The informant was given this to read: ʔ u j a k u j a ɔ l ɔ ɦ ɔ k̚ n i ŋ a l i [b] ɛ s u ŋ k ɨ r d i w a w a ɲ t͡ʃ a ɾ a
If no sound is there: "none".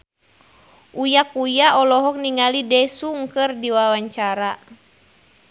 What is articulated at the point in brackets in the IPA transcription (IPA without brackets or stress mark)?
d